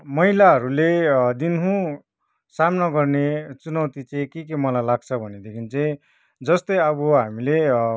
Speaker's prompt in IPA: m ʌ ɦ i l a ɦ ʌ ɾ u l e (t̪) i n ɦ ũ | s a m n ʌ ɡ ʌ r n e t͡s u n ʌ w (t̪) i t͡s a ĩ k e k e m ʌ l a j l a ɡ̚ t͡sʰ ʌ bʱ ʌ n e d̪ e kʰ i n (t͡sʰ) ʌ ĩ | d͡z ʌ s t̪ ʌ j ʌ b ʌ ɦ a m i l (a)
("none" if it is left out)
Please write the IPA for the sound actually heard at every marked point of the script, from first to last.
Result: d̪, t̪, t͡s, e

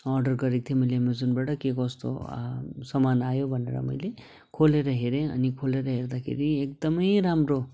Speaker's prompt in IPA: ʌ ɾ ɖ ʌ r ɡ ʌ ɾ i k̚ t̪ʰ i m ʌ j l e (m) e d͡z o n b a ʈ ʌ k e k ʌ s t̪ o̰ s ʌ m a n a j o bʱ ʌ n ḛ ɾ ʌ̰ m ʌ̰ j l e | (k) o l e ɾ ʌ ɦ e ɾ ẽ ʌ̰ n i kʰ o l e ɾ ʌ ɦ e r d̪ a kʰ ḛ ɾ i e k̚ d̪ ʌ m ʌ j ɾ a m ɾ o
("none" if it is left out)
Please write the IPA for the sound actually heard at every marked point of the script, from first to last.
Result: m, kʰ

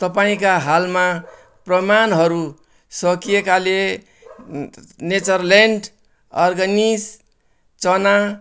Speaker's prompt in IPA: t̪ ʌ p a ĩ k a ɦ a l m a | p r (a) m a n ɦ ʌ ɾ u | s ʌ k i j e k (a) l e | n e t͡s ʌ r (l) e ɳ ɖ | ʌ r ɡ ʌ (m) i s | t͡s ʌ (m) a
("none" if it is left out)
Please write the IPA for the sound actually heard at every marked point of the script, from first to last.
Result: ʌ, a, l, n, n

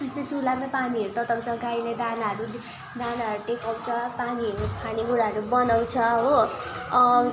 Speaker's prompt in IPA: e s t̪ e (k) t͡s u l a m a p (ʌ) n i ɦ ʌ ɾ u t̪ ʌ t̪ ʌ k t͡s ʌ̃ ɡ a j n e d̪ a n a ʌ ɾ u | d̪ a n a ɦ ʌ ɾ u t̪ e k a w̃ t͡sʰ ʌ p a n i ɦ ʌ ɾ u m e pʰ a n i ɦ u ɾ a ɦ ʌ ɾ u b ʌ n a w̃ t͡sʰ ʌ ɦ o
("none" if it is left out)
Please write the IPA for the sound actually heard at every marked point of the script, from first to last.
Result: none, a

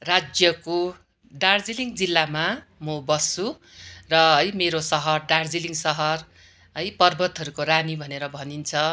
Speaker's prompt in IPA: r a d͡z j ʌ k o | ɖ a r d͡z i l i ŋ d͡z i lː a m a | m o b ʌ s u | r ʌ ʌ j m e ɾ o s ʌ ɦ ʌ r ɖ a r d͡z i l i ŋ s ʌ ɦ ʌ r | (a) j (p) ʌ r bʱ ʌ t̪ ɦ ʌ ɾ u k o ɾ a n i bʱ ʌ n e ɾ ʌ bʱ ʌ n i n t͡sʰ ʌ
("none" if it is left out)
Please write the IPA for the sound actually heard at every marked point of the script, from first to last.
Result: ʌ, p

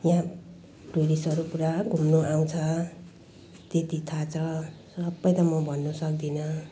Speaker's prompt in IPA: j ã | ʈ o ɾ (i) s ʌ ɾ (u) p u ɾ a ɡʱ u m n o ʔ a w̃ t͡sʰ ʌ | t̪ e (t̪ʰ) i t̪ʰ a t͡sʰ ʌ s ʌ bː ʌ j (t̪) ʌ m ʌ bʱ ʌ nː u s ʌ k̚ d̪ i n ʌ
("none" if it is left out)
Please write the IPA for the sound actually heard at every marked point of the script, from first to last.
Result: i, u, t̪, t̪

